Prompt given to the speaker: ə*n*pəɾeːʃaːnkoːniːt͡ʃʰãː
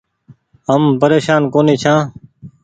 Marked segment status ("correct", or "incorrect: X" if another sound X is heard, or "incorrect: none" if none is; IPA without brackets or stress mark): incorrect: m